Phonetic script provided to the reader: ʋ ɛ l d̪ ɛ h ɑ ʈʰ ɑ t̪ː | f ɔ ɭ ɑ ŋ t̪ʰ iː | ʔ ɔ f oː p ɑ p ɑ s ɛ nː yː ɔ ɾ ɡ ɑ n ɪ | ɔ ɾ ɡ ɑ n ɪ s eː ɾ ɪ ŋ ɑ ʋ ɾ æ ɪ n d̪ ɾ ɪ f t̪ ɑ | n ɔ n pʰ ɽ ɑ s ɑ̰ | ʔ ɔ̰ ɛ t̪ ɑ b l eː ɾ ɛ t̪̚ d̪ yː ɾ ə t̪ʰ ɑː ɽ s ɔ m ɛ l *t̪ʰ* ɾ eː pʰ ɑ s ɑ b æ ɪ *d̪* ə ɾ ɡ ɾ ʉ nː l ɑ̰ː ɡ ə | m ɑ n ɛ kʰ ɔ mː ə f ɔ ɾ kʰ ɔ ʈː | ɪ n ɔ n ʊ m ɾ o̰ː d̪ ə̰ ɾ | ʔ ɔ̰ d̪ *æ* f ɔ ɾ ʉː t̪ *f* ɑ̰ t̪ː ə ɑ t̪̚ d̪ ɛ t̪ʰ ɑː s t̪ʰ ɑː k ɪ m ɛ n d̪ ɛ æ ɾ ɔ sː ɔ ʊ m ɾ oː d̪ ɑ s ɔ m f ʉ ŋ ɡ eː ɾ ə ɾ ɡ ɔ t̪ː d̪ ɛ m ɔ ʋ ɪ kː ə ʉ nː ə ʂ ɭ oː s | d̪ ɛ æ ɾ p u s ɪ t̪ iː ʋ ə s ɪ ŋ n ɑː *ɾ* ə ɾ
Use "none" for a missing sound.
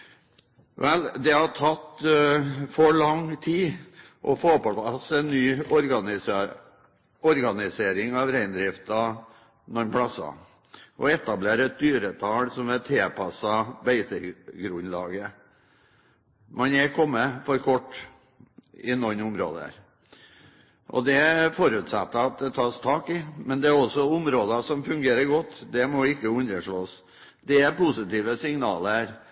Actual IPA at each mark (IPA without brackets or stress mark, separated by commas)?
t̪ʰ, t̪, ɛ, s, l